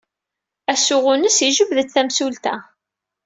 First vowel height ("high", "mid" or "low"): low